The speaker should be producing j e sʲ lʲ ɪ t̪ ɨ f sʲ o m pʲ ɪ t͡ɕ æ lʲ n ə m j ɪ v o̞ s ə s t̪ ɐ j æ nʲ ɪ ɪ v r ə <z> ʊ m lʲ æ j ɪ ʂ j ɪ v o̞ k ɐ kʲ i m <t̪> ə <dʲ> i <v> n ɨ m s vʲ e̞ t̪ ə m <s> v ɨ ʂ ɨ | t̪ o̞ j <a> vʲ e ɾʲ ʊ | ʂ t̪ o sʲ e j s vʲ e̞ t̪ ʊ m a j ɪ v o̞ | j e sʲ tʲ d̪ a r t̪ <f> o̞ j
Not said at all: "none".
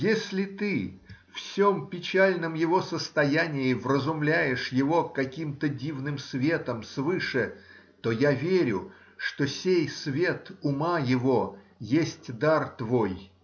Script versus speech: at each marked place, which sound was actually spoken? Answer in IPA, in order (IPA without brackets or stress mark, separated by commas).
z, t̪, dʲ, v, s, a, v